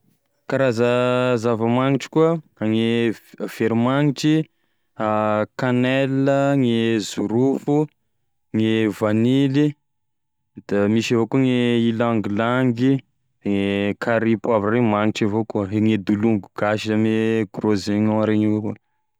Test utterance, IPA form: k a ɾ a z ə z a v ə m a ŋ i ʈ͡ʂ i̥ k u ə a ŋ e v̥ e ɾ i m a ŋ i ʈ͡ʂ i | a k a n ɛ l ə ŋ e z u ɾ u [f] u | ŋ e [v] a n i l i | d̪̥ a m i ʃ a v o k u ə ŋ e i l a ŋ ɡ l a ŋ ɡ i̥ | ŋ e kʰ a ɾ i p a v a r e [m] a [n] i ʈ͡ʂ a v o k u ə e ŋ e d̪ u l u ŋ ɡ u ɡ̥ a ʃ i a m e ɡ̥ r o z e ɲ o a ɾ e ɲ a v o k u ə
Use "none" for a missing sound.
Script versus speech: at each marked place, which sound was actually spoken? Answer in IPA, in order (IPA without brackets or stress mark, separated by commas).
f, v, m, ŋ